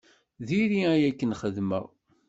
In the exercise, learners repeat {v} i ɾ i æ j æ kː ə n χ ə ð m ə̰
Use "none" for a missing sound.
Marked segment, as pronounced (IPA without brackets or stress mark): ð